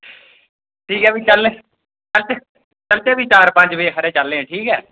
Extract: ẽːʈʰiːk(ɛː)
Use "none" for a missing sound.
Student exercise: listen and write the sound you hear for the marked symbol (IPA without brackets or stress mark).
ɛː